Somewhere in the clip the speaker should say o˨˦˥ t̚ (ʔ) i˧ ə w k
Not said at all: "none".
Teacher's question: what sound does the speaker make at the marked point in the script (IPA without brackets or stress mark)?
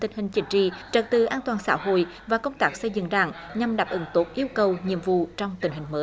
ʔ